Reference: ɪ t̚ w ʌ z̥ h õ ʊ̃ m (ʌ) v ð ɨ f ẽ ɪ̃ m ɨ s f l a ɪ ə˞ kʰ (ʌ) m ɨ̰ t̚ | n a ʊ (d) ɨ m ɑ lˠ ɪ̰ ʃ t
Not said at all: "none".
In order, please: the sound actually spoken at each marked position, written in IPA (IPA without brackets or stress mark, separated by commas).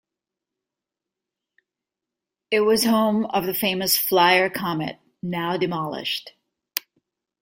ʌ, ɑ, d